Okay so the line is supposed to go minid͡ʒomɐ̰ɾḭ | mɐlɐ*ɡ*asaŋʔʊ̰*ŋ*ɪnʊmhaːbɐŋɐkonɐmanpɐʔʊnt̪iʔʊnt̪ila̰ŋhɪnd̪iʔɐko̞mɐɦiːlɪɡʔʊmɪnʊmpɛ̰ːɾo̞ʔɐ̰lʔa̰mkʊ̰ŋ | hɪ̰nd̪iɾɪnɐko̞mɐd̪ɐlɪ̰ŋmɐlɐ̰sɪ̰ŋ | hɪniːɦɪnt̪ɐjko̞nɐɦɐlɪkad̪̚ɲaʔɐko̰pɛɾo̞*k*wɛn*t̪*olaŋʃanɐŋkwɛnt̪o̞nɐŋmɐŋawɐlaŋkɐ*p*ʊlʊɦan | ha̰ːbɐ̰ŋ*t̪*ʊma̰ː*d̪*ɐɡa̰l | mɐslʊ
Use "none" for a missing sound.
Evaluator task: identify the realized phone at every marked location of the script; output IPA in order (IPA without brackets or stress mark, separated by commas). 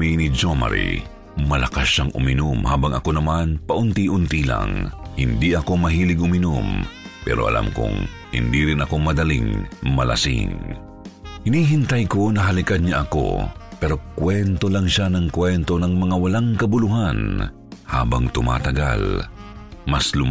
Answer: k, m, k, t̪, b, t̪, t̪